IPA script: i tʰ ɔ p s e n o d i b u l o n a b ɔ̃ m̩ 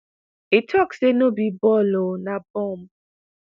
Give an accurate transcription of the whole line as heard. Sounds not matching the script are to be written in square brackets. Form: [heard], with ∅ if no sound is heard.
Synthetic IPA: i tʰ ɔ [k] s e n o [b] i b [ɔ] l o n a b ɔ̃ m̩